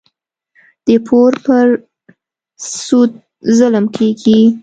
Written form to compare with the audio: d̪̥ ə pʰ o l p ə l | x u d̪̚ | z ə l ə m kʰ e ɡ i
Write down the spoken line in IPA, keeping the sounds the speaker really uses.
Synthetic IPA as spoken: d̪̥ ə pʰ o ɾ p ə ɾ | s u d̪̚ | z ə l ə m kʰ e ɡ i